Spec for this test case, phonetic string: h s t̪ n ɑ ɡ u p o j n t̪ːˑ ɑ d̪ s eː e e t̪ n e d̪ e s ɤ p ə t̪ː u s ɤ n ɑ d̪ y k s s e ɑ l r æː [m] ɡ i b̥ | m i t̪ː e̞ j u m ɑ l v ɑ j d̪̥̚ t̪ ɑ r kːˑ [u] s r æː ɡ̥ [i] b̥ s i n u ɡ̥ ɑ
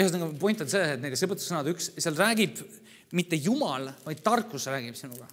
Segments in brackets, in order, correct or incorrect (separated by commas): incorrect, correct, correct